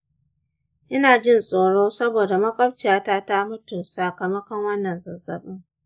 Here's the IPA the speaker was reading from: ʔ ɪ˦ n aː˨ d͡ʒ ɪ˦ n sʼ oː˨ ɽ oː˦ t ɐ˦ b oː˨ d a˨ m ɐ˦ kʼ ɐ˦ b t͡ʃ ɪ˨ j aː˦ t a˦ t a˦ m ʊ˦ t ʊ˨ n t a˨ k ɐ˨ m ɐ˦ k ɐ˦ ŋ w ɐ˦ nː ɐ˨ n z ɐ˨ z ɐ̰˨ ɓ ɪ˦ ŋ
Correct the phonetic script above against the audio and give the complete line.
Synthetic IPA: ʔ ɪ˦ n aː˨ d͡ʒ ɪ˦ n sʼ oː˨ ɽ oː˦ s ɐ˦ b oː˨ d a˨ m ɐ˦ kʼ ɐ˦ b t͡ʃ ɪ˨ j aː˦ t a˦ t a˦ m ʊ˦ t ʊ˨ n s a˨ k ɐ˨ m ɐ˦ k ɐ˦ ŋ w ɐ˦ nː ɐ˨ n z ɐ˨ z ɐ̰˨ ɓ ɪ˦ ŋ

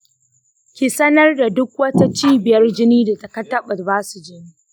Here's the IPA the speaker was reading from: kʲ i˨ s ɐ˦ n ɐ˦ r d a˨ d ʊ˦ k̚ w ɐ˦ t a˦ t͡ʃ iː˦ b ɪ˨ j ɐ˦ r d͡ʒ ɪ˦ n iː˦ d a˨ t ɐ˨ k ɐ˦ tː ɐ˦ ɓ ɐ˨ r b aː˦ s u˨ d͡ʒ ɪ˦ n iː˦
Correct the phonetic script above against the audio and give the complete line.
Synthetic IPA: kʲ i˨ s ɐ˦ n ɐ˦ r d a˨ d ʊ˦ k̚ w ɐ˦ t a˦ t͡ʃ iː˦ b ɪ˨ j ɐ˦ r d͡ʒ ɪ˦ n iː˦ d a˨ t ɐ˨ k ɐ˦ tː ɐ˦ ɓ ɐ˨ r b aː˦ s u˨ d͡ʒ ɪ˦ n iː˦

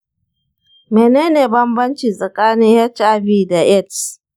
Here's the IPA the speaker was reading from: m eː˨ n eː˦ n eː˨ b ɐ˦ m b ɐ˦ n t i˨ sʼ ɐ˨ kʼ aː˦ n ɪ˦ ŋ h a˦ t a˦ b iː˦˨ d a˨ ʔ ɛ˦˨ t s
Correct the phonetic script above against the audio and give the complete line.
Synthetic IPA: m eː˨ n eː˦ n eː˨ b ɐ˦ m b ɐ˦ n t͡ʃ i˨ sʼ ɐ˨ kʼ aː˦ n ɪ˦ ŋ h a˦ t͡ʃ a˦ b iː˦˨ d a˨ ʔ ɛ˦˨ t s

